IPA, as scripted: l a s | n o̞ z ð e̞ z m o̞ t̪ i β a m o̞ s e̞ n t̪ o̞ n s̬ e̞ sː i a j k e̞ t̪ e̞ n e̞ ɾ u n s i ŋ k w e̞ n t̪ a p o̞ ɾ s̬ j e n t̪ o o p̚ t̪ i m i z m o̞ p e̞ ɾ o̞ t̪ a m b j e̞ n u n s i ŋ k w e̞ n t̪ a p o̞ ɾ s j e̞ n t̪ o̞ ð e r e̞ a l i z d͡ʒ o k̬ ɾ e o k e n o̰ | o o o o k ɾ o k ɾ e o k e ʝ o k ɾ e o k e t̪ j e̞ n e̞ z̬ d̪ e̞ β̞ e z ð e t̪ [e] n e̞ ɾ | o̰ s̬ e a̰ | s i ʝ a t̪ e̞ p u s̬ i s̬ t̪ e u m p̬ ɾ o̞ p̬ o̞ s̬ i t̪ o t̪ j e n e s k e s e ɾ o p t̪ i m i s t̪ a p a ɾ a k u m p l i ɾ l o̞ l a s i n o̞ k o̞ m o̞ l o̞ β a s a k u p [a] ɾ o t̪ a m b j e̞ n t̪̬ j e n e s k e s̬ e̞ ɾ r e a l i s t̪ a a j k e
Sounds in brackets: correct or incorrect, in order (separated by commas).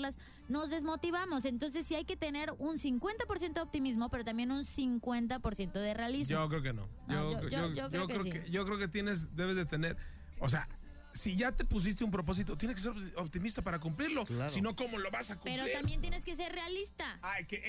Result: correct, incorrect